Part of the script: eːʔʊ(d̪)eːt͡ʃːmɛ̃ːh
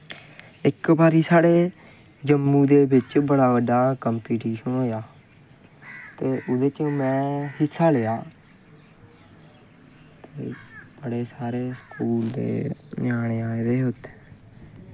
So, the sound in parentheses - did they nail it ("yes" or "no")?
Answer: yes